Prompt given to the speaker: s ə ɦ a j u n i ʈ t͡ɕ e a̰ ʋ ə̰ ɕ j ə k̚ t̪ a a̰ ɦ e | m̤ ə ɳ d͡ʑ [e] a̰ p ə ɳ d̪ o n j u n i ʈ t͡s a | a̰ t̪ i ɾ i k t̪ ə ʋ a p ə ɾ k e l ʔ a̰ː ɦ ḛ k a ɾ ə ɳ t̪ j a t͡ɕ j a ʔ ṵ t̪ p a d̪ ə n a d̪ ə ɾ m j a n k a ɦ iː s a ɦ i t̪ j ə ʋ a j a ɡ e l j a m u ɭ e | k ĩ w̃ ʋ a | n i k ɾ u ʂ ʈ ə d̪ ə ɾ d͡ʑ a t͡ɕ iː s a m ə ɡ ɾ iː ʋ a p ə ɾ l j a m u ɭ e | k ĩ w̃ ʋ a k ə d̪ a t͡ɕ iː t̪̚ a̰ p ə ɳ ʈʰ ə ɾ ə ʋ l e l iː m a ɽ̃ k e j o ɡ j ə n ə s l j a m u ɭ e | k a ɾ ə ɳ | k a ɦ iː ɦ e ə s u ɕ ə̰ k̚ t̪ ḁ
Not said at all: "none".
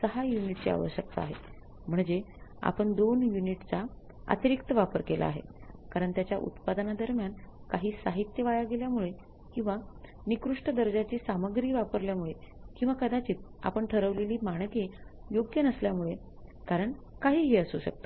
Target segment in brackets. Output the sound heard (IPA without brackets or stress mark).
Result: e